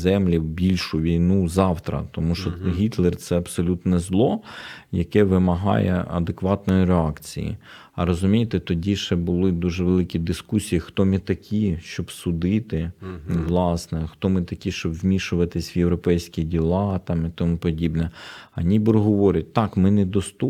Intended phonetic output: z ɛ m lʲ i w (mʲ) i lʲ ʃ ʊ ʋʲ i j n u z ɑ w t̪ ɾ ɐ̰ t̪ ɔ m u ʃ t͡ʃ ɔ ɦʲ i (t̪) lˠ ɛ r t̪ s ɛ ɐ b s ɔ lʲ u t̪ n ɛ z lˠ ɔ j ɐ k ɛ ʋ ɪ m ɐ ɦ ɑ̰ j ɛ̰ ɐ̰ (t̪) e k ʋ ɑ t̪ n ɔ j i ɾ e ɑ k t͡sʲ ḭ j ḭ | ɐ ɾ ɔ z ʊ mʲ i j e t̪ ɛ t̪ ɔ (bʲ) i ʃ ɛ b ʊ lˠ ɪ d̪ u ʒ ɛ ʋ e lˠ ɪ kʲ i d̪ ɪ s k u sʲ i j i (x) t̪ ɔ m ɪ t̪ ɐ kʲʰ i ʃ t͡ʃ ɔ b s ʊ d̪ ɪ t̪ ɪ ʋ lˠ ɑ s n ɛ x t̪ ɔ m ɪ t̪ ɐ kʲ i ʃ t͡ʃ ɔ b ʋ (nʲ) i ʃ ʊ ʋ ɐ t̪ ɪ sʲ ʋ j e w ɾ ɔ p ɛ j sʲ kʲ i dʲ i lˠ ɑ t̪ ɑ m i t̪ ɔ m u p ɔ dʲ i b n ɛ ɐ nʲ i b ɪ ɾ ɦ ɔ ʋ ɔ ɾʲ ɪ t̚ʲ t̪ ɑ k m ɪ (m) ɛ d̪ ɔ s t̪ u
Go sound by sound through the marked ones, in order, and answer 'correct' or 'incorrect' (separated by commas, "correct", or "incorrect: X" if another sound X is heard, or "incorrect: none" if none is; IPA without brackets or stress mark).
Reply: incorrect: bʲ, correct, incorrect: d̪, incorrect: dʲ, correct, incorrect: mʲ, incorrect: n